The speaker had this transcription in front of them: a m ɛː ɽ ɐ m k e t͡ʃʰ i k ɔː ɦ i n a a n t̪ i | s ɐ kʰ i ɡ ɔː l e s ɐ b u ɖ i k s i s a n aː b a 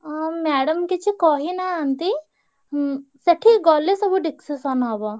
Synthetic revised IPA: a m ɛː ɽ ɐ m k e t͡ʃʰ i k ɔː ɦ i n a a n t̪ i | s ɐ ʈʰ i ɡ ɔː l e s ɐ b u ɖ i k s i s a n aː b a